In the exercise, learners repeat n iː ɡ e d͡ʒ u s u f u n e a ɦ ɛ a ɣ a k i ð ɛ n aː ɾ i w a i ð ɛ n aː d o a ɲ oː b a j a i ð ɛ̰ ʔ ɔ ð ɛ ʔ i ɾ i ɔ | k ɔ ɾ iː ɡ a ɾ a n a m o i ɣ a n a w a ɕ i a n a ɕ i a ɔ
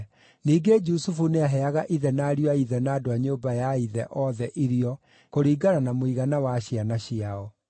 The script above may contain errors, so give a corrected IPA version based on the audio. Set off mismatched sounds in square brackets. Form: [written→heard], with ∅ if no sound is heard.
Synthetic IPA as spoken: n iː ɡ e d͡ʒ u s u f u n e a ɦ ɛ a ɣ a [k→ʔ] i ð ɛ n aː ɾ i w a i ð ɛ n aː d o a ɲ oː b a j a i ð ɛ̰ ʔ ɔ ð ɛ ʔ i ɾ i ɔ | k [ɔ→o] ɾ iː ɡ a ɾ a n a m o i ɣ a n a w a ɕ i a n a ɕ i a ɔ

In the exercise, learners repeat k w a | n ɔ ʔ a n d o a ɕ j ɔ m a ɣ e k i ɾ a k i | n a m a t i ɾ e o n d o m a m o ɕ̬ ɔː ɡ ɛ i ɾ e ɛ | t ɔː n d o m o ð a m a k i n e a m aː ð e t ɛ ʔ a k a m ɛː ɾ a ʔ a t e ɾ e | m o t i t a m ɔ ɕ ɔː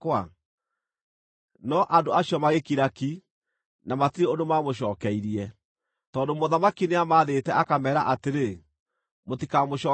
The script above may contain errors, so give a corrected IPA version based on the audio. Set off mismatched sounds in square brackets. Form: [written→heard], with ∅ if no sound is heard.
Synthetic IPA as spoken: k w a | n ɔ ʔ a n d o a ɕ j ɔ m a ɣ e k i ɾ a k i | n a m a t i ɾ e o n d o m a m o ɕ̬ ɔː [ɡ→k] ɛ i ɾ [e→i] ɛ | t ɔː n d o m o ð a m a k i n e a m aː ð e t ɛ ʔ a k a m ɛː ɾ a ʔ a t e ɾ e | m o t i [t→k] a m [ɔ→o] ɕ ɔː

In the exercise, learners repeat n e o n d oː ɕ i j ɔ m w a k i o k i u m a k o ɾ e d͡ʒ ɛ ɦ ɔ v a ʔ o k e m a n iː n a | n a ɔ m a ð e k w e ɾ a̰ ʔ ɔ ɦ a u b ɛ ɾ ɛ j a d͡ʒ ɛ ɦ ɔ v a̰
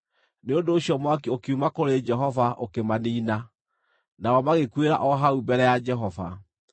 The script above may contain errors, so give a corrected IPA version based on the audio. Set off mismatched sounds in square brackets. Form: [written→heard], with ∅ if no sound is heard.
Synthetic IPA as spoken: n e o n d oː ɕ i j ɔ m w a k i o k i u m a k o ɾ e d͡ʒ ɛ ɦ ɔ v a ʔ o k e m a n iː n a | n a ɔ m a [ð→ɣ] e k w e ɾ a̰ ʔ ɔ ɦ a u b ɛ ɾ ɛ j a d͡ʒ ɛ ɦ ɔ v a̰

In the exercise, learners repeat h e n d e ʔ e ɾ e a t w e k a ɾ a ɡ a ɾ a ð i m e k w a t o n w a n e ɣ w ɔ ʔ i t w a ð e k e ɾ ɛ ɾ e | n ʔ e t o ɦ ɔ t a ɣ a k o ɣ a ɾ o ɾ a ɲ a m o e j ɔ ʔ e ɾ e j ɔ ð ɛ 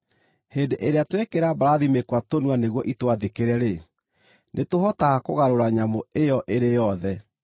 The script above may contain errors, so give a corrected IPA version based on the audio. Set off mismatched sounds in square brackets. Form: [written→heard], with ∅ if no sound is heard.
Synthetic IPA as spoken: h e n d e ʔ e ɾ e a t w e k [a→e] ɾ a [ɡ→b] a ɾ a ð i m e k w a t o n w a n e ɣ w ɔ ʔ i t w a ð e k e ɾ ɛ ɾ e | n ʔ e t o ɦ ɔ t a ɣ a k o ɣ a ɾ o ɾ a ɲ a m o e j ɔ ʔ e ɾ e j ɔ ð ɛ

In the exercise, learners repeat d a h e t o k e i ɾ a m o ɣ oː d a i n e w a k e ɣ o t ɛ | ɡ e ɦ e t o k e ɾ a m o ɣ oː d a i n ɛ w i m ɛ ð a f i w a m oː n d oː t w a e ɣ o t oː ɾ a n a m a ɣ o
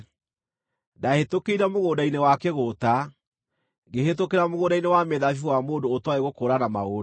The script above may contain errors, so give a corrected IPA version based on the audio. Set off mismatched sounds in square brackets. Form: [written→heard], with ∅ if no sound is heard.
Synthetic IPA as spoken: d a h e t o k e i ɾ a m o ɣ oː d a i n e w a k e ɣ o t [ɛ→a] | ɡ e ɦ e t o k e ɾ a m o ɣ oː d a i n [ɛ→e] w [i→a] m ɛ ð a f i w a m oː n d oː t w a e ɣ o [t→k] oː ɾ a n a m a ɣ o

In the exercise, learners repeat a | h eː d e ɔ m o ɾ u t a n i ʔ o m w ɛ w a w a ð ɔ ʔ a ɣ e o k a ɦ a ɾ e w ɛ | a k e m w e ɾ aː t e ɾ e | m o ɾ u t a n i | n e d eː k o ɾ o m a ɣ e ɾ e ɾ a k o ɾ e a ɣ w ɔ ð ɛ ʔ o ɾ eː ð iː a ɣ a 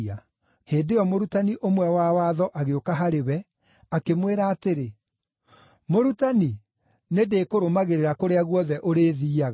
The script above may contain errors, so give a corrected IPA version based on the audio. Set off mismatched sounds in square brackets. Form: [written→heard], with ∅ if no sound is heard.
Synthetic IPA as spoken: a | h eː d e ɔ m o ɾ u t a n i ʔ o m w ɛ w a w a ð ɔ ʔ a ɣ e o k a ɦ a ɾ e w ɛ | a k e m w e ɾ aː t e ɾ e | m o ɾ u t a n i | n e d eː k o ɾ o m a ɣ e ɾ e ɾ a k o ɾ e a ɣ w ɔ ð ɛ ʔ o ɾ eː ð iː a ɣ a

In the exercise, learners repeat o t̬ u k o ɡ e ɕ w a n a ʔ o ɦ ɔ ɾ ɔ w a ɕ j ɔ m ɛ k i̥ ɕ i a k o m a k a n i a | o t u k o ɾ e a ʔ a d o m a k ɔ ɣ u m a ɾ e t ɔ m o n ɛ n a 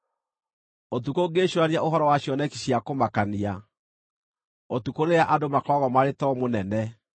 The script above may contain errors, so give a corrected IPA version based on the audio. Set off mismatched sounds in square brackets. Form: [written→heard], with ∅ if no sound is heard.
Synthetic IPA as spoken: o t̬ u k o ɡ e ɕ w a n a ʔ o ɦ ɔ ɾ ɔ w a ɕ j ɔ [m→n] ɛ k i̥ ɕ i a k o m a k a n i a | o t u k o ɾ e a ʔ a d o m a k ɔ ɣ [u→ɔ] m a ɾ e t ɔ m o n ɛ n [a→ɛ]

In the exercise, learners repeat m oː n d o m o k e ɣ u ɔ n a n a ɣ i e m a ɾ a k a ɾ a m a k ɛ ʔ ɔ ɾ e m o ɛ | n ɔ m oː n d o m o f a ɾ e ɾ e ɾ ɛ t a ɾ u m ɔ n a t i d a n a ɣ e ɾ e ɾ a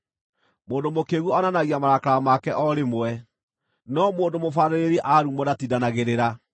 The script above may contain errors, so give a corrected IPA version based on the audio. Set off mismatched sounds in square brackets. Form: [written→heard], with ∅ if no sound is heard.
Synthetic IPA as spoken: m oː n d o m o k e ɣ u ɔ n a n a ɣ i [e→a] m a ɾ a k a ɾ a m a k ɛ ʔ ɔ ɾ e m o ɛ | n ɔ m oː n d o m o f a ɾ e ɾ e ɾ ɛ [t→ʔ] a ɾ u m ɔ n a t i d a n a ɣ e ɾ e ɾ a

